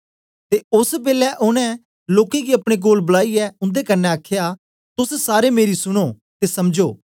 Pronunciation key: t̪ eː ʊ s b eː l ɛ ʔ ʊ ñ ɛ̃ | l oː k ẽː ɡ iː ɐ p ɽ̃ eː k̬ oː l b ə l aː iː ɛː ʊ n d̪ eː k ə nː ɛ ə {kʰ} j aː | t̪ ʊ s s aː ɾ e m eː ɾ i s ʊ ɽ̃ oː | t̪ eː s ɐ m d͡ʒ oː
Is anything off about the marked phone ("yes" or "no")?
no